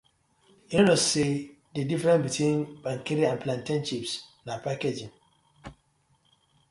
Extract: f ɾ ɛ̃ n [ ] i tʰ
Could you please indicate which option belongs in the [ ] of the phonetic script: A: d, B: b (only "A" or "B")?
B